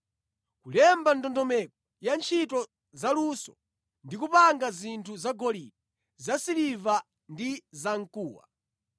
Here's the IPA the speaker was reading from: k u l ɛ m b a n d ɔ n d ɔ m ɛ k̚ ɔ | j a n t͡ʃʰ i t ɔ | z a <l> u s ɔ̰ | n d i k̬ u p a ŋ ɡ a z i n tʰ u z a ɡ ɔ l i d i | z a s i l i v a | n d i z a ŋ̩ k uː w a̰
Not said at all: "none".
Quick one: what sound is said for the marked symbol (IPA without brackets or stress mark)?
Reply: l